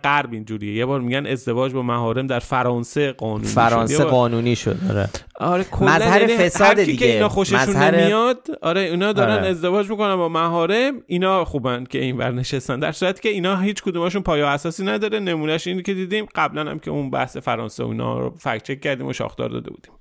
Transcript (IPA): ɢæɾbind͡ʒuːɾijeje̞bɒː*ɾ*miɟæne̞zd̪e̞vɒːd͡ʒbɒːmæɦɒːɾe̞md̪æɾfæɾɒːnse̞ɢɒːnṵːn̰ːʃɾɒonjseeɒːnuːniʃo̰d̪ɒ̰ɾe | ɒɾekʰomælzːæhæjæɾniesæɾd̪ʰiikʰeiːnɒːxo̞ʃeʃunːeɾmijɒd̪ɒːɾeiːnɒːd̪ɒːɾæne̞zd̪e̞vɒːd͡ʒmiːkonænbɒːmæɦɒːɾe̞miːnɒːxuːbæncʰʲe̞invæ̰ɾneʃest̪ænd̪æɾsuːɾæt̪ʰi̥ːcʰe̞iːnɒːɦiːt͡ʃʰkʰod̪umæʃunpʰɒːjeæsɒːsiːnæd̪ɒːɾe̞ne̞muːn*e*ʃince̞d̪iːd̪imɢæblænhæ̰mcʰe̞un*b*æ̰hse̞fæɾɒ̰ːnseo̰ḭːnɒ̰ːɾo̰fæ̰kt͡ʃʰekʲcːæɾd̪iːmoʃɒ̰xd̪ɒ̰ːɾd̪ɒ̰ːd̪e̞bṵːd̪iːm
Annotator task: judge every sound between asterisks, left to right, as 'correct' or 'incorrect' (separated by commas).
correct, incorrect, correct